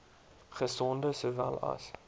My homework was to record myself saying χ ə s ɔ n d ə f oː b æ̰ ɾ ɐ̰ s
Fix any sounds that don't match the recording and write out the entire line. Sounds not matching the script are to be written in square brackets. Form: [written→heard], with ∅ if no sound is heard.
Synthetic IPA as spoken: χ ə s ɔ n d ə [f→s] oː [b→v] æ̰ [ɾ→l] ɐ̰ s

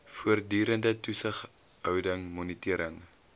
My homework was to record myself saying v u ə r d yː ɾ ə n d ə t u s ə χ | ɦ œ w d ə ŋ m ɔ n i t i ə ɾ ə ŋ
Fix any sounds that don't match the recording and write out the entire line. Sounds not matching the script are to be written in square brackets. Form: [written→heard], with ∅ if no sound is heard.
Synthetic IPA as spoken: [v→f] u ə r d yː ɾ ə n d ə t u s ə χ | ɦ œ w d ə ŋ m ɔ n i t i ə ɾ ə ŋ

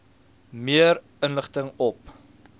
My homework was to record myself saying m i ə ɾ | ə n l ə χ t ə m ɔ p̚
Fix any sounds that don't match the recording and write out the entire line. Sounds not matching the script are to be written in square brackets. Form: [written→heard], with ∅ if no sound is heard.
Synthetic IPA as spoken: m i ə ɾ | ə n l ə χ t ə [m→ŋ] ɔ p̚

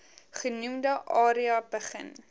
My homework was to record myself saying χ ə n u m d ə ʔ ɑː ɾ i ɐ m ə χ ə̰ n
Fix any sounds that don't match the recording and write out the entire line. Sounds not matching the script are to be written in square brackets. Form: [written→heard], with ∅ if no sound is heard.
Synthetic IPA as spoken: χ ə n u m d ə ʔ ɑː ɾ i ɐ [m→b] ə χ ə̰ n

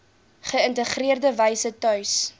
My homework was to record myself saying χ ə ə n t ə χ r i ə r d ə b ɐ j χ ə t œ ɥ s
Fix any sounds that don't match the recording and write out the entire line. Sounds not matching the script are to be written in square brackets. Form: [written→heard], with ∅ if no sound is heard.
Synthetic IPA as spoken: χ ə ə n t ə χ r i ə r d ə [b→v] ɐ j [χ→s] ə t œ ɥ s

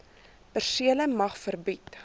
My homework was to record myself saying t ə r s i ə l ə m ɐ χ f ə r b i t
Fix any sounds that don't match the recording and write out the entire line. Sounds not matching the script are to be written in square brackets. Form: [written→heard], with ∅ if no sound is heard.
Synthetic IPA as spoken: [t→p] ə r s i ə l ə m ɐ χ f ə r b i t

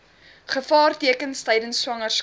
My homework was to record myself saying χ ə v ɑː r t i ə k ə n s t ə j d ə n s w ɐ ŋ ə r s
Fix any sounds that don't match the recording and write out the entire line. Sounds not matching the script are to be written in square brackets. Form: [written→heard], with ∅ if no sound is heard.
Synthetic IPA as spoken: χ ə [v→f] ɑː r t i ə k ə n s t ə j d ə n s w ɐ ŋ ə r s

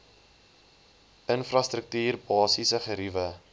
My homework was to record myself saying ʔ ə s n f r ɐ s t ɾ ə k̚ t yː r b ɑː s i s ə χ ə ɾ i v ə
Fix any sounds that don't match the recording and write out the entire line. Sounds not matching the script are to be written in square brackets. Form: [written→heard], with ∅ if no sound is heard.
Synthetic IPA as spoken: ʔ ə [s→∅] n f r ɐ s t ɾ ə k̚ t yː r b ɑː s i s ə χ ə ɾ i v ə

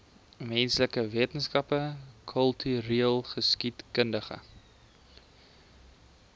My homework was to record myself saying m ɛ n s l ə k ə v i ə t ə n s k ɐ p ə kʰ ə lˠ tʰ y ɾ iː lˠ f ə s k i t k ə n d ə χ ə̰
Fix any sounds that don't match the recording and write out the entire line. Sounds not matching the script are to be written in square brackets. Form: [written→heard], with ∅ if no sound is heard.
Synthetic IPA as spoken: m ɛ n s l ə k ə v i ə t ə n s k ɐ p ə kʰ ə lˠ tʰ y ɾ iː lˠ [f→χ] ə s k i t k ə n d ə χ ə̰

